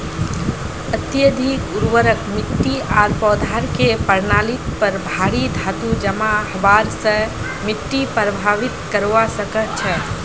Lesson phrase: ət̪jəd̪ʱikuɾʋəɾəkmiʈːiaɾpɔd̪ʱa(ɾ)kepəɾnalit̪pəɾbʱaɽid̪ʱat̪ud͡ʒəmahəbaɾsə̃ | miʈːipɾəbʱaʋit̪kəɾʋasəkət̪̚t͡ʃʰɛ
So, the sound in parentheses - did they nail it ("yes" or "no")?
yes